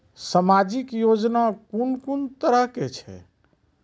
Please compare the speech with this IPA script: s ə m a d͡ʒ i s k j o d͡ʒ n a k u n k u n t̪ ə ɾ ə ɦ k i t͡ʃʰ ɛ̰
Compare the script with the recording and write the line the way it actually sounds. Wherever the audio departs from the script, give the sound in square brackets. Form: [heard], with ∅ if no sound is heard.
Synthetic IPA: s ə m a d͡ʒ i [∅] k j o d͡ʒ n a k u n k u n t̪ ə ɾ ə ɦ k [e] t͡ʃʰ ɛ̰